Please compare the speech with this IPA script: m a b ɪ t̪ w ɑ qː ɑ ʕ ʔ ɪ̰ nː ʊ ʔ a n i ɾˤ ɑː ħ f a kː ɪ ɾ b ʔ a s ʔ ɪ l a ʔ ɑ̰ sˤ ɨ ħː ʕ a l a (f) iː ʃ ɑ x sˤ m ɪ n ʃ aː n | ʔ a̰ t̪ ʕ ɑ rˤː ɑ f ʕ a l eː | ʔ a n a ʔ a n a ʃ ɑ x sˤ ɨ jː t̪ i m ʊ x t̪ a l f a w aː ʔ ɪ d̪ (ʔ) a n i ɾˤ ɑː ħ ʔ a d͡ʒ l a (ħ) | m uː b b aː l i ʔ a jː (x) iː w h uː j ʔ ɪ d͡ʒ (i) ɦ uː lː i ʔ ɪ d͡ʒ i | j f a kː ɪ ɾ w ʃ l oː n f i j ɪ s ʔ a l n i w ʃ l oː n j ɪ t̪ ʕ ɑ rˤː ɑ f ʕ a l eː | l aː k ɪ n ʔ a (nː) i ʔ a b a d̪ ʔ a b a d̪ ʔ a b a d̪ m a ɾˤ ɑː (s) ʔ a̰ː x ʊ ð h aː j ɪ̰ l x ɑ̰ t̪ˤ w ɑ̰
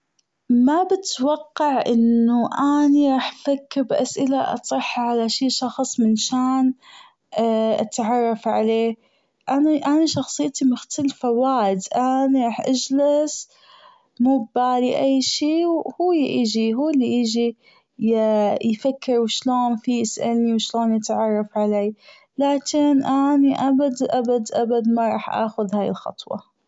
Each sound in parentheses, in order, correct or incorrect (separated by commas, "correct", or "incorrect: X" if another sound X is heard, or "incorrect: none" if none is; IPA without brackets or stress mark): incorrect: ʃ, correct, incorrect: s, incorrect: ʃ, correct, incorrect: n, incorrect: ħ